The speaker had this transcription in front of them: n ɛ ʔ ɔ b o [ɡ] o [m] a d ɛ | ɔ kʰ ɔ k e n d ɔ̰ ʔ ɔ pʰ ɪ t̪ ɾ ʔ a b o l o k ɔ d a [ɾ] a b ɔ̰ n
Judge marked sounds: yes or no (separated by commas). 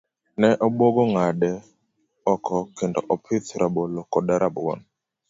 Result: yes, no, yes